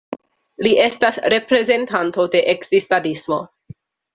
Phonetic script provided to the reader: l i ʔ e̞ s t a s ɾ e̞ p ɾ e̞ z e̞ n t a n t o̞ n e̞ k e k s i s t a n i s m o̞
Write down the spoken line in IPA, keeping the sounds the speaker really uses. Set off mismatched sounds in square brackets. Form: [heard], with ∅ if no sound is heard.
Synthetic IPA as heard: l i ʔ e̞ s t a s ɾ e̞ p ɾ e̞ z e̞ n t a n t o̞ [d] e̞ [ʔ] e k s i s t a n i s m o̞